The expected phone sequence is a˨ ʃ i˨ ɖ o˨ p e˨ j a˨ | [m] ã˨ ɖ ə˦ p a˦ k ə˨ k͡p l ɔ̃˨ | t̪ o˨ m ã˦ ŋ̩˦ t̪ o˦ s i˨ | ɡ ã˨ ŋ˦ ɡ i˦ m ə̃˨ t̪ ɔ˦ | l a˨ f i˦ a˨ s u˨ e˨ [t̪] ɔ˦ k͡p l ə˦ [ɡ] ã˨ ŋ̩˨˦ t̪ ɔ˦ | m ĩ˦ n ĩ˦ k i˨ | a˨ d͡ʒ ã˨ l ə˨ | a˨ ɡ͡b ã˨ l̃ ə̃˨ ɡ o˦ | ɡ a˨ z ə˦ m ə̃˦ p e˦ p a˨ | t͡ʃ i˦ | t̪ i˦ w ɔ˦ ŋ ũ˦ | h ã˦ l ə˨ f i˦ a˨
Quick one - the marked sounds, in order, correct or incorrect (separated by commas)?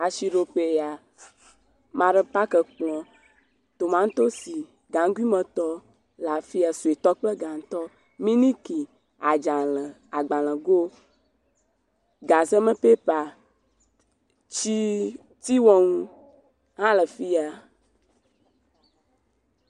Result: correct, correct, correct